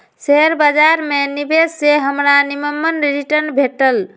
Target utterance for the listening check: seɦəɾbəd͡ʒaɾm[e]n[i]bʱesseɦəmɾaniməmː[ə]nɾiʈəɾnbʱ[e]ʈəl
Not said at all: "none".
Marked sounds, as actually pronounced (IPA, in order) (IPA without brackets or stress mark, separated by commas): e, i, ə, e